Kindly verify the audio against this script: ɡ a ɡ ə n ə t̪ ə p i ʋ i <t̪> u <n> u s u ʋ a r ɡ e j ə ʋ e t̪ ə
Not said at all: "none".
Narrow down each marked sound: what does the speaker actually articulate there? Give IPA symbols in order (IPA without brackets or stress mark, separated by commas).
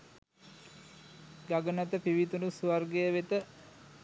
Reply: t̪, n